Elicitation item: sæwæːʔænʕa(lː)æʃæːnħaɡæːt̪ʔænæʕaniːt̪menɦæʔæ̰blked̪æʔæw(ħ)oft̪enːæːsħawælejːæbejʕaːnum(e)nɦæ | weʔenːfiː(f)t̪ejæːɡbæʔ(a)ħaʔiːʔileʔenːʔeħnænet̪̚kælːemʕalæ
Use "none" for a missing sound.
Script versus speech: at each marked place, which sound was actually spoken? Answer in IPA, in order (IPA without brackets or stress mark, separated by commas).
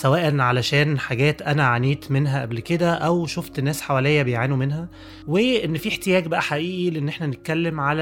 l, ʃ, e, ħ, æ